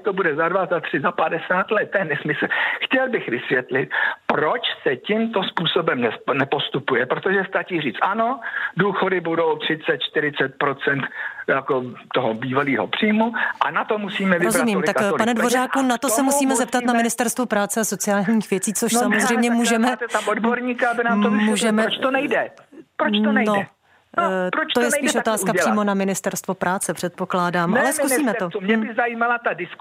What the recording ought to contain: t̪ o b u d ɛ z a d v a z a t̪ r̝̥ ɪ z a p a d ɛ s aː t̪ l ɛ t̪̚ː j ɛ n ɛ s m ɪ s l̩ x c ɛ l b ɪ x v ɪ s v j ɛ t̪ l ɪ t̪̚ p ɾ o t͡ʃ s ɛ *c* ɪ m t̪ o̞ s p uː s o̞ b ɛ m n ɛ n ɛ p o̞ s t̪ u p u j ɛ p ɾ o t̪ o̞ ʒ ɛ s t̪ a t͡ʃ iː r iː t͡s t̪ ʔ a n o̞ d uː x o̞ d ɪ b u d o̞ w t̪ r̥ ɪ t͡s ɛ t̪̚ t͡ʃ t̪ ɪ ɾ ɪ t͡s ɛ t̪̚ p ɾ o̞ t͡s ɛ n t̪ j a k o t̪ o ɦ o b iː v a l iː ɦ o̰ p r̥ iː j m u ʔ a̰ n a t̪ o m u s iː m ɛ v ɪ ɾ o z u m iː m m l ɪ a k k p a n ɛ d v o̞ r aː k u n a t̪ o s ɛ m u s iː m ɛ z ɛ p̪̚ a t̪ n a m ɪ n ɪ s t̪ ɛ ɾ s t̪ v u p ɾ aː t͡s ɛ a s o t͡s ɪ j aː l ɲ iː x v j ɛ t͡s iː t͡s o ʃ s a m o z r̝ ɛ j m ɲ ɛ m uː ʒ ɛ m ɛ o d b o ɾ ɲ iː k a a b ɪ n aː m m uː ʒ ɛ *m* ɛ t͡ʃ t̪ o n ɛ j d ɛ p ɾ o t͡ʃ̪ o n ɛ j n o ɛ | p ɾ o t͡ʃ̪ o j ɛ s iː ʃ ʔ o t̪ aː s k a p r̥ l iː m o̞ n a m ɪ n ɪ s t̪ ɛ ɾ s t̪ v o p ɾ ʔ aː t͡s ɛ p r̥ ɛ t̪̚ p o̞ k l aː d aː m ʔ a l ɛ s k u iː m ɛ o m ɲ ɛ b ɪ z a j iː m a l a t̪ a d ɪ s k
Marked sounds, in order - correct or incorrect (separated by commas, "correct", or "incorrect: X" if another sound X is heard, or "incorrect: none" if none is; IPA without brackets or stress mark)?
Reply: correct, correct